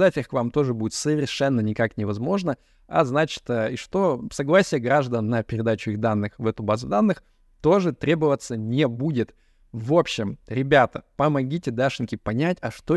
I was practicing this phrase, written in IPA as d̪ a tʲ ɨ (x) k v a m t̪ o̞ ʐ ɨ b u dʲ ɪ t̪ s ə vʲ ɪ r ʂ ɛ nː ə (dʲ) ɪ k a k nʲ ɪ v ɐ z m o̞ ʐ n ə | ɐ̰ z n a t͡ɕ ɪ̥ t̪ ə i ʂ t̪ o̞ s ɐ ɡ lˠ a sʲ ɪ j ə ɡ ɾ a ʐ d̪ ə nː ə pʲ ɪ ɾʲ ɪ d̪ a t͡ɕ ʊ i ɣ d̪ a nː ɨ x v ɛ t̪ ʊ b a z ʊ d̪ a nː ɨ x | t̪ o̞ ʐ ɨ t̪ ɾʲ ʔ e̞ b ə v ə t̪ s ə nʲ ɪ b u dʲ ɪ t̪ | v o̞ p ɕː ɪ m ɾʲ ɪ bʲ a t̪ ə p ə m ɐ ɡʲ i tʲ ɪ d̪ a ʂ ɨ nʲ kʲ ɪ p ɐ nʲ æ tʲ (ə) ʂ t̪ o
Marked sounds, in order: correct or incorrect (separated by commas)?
correct, incorrect, incorrect